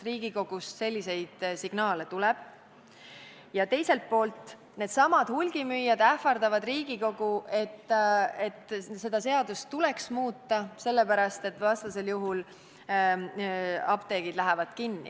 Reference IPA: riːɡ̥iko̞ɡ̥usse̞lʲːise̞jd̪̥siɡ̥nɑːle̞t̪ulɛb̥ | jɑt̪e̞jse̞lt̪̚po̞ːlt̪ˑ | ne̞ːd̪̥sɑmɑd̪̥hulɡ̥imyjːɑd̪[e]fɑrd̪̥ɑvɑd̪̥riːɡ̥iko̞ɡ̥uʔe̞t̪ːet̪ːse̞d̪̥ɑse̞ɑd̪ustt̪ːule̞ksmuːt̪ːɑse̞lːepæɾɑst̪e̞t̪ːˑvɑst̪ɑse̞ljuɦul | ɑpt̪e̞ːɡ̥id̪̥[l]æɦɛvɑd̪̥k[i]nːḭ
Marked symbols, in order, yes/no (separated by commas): no, yes, yes